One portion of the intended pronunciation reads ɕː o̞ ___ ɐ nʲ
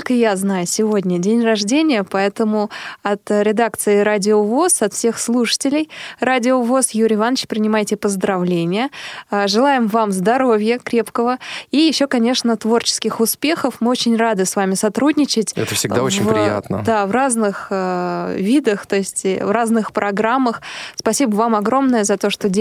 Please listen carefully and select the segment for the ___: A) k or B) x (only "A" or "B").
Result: A